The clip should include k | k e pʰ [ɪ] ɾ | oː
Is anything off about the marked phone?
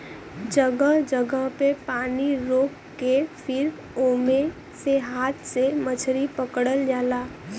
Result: no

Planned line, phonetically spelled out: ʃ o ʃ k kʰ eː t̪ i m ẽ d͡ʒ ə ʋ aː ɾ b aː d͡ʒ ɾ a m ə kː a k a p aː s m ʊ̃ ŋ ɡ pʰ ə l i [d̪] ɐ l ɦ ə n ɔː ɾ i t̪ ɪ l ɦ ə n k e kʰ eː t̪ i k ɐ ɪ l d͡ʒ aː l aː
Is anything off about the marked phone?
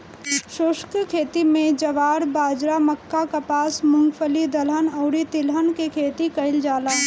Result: no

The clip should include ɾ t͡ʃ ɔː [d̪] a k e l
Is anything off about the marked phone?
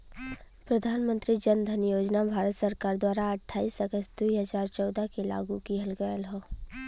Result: no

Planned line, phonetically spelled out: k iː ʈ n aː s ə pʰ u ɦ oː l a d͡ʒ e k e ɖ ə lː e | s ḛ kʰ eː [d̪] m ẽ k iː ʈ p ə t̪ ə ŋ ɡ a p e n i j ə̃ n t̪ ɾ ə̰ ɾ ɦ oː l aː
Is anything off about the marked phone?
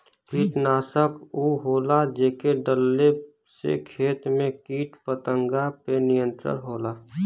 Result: yes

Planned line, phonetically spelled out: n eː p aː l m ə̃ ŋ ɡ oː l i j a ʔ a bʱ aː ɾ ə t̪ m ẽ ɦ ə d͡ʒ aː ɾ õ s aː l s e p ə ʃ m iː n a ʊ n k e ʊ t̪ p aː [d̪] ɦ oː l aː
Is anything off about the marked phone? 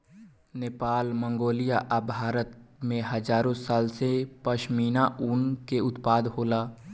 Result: no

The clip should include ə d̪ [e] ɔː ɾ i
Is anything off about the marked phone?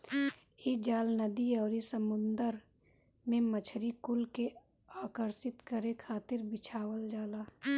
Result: yes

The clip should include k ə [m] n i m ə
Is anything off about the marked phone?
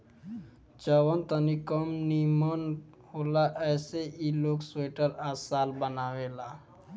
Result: no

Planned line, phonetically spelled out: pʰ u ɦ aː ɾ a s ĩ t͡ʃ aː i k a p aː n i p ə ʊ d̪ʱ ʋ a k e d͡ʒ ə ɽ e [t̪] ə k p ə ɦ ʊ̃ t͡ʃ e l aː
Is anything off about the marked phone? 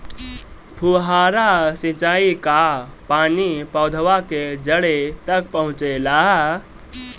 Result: no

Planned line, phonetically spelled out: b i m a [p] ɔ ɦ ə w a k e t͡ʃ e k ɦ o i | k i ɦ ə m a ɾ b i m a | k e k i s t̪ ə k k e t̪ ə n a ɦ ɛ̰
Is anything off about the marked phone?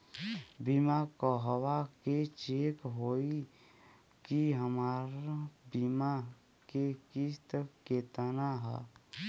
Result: yes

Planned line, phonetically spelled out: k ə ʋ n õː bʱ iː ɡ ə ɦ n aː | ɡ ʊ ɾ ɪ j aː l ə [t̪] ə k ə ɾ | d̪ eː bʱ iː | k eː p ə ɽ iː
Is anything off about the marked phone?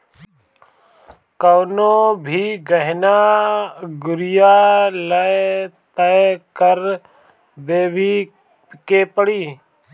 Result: no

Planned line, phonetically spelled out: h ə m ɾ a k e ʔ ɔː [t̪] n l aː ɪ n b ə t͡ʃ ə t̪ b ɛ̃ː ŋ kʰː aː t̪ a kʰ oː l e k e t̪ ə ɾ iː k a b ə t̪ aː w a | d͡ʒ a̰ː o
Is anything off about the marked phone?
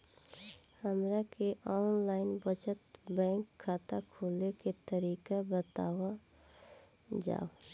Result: yes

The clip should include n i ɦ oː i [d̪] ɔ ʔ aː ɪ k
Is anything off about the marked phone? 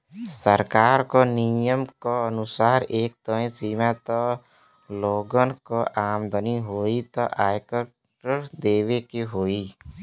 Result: yes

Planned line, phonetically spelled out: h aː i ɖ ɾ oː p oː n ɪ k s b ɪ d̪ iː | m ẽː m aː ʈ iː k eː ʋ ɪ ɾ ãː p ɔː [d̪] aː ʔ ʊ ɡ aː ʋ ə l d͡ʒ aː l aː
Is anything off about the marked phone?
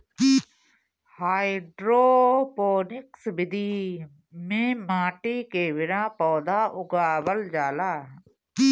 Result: no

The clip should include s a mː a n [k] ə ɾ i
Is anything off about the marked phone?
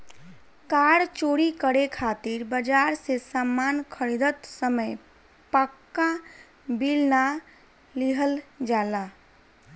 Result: yes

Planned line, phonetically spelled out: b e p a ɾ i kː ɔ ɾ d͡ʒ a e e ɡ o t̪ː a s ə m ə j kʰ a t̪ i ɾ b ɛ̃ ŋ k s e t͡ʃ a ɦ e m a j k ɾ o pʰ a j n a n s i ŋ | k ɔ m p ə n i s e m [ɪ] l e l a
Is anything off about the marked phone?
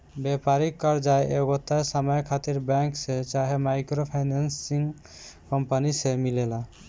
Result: yes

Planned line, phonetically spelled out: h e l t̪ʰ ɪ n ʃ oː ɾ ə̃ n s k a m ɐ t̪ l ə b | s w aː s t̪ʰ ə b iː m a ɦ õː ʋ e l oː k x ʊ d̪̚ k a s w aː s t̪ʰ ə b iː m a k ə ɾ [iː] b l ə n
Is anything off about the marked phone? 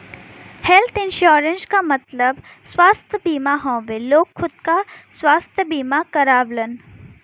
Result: yes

